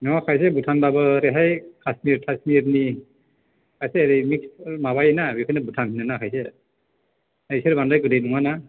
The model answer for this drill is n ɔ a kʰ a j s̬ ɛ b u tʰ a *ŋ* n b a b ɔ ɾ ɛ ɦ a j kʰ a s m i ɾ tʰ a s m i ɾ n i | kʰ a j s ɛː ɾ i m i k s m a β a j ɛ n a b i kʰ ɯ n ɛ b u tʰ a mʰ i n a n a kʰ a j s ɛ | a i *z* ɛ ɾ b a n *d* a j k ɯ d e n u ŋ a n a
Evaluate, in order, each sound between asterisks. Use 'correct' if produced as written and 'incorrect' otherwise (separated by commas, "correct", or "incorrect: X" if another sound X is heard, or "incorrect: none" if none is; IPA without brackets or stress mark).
incorrect: none, incorrect: s, correct